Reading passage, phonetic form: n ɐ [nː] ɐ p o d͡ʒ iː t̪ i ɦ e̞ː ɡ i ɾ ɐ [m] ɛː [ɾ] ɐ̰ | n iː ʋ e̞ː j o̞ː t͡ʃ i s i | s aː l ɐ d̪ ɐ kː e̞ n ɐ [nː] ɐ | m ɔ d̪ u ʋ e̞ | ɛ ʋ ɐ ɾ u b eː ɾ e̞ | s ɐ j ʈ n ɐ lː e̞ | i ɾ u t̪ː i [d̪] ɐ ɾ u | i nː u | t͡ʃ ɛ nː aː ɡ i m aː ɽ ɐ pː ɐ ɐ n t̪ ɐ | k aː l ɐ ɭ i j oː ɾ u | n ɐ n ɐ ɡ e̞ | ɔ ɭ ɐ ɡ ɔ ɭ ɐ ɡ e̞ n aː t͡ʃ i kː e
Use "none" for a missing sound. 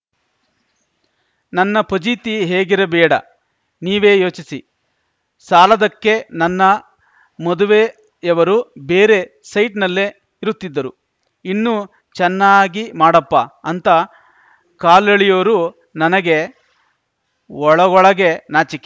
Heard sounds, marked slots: nː, b, ɽ, nː, d̪ː

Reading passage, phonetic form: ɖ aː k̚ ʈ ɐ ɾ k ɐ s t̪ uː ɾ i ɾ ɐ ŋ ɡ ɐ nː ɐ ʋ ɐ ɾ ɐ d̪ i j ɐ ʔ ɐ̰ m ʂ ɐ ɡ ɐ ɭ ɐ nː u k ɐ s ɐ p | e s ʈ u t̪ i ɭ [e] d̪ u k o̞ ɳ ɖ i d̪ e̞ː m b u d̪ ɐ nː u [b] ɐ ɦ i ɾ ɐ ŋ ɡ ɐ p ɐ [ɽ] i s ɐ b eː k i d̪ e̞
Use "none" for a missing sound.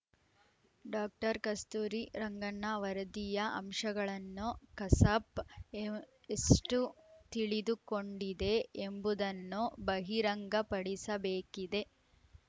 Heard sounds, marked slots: i, b, ɽ

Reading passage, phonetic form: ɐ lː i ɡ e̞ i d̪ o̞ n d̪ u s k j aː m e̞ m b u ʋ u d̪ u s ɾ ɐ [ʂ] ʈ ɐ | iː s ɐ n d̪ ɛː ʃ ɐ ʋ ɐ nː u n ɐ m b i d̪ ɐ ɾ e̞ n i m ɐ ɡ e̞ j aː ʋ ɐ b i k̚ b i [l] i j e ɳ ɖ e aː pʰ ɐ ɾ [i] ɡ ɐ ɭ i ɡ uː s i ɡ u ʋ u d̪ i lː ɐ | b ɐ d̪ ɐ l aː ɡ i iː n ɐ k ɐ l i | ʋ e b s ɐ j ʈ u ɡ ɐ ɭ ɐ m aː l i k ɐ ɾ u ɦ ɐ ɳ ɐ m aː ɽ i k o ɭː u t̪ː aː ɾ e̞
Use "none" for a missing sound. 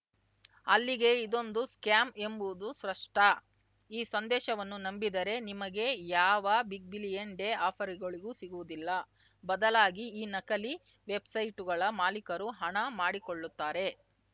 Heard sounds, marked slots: ʂ, l, i

